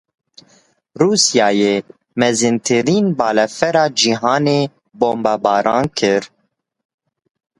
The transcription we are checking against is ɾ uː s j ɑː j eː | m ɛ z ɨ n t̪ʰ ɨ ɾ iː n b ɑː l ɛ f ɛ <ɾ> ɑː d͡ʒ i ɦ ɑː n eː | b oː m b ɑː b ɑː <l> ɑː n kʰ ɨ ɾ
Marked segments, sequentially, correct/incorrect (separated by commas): correct, incorrect